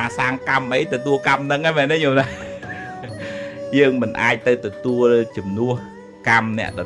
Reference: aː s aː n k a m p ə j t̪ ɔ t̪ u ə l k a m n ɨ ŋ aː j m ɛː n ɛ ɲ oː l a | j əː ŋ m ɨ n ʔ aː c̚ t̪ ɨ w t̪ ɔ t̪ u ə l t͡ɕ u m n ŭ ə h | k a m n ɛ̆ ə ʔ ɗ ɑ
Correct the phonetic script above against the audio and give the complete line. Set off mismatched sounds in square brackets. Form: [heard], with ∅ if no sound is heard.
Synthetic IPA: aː s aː [ŋ] k a m [ʔ] ə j t̪ ɔ t̪ u ə l k a m n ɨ ŋ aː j m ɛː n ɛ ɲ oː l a | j əː ŋ m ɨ n ʔ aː c̚ t̪ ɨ w t̪ ɔ t̪ u ə l t͡ɕ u m n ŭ ə h | k a m n ɛ̆ ə ʔ ɗ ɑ